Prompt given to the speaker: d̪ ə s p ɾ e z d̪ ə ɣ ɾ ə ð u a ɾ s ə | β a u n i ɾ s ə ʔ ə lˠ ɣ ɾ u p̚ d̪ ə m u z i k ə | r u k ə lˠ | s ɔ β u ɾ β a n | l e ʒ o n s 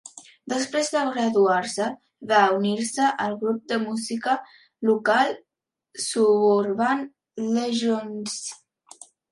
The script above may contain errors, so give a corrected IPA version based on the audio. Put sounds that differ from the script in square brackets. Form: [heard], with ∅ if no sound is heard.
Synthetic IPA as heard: d̪ ə s p ɾ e z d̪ ə ɣ ɾ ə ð u a ɾ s ə | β a u n i ɾ s ə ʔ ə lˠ ɣ ɾ u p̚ d̪ ə m u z i k ə | [l] u k [a] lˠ | s [u] β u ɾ β a n | l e ʒ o n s